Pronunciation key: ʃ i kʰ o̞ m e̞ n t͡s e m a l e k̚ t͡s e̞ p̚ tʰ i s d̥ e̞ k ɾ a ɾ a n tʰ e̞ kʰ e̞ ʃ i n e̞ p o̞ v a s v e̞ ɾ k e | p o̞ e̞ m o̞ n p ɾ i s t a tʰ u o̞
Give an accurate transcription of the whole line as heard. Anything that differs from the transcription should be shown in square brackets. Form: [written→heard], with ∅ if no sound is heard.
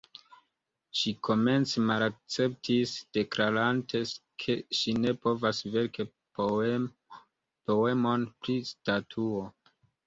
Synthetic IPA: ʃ i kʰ o̞ m e̞ n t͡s e m a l [e→a] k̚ t͡s e̞ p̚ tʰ i s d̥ e̞ k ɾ a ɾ a n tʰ e̞ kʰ e̞ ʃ i n e̞ p o̞ v a s v e̞ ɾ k e | p o̞ e̞ m o̞ n p ɾ i s t a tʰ u o̞